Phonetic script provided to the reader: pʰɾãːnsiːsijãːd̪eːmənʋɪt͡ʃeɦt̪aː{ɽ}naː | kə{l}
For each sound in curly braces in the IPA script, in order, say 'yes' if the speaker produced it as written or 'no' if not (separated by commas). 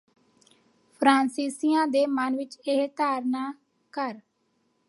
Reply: no, no